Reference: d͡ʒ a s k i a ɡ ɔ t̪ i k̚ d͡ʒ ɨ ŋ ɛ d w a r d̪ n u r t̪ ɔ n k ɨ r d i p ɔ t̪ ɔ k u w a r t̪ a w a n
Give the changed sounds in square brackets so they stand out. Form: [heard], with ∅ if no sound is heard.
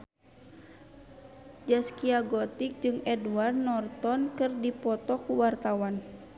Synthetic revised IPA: d͡ʒ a s k i a ɡ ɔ t̪ i k̚ d͡ʒ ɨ ŋ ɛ d w a r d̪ n [ɔ] r t̪ ɔ n k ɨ r d i p ɔ t̪ ɔ k u w a r t̪ a w a n